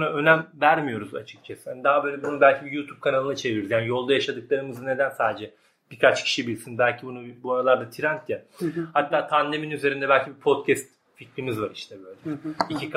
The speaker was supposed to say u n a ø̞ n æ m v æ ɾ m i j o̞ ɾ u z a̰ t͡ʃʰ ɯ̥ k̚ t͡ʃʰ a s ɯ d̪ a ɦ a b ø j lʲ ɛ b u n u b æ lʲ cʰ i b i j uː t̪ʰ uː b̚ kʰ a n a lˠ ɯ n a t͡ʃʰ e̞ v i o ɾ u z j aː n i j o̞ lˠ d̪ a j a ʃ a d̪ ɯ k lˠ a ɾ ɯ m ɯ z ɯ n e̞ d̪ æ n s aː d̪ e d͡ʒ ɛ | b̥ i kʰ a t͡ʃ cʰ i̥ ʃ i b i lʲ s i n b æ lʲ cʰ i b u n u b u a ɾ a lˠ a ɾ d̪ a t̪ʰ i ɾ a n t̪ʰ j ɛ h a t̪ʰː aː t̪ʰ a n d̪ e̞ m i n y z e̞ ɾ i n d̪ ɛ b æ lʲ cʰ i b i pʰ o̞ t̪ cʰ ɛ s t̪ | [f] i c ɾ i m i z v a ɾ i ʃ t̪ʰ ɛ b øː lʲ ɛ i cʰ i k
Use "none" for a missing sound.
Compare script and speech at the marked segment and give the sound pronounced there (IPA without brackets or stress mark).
f